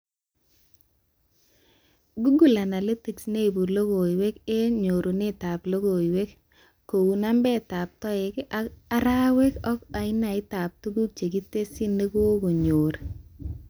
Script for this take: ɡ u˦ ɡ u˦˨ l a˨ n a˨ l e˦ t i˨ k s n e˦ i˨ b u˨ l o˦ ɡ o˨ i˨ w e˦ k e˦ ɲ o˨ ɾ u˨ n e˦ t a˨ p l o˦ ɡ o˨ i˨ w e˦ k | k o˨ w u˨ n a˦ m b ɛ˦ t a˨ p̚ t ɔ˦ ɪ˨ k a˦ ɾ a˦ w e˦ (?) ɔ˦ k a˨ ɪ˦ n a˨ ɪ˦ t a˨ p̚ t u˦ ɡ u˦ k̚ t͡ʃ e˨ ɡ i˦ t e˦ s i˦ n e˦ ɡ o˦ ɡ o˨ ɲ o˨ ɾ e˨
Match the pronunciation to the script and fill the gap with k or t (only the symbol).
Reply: k